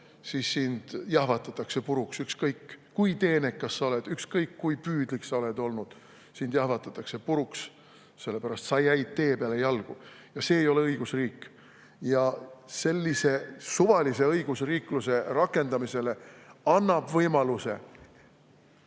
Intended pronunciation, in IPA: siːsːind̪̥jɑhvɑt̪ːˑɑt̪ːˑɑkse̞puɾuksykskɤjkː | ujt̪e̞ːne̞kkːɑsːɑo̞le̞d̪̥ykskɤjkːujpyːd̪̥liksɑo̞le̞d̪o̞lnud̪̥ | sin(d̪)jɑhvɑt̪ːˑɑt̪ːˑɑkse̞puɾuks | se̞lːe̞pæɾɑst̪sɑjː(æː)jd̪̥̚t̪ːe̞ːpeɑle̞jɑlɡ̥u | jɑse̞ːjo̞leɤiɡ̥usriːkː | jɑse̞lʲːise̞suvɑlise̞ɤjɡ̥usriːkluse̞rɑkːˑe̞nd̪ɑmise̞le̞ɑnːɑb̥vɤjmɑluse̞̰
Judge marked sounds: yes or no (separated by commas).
yes, no